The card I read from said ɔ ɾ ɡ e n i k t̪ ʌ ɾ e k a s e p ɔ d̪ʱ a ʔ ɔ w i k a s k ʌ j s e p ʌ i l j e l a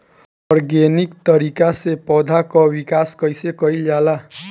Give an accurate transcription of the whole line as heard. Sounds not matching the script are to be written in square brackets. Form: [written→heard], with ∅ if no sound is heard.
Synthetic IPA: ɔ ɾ ɡ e n i k t̪ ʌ ɾ [e→i] k a s e p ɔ d̪ʱ a [ʔ→k] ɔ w i k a s k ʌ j s e [p→k] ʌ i l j [e→a] l a